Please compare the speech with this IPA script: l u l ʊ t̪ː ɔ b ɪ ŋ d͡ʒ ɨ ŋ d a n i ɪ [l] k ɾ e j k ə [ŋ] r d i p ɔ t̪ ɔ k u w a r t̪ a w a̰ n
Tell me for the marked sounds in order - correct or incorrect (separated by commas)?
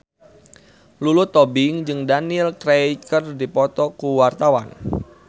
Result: correct, incorrect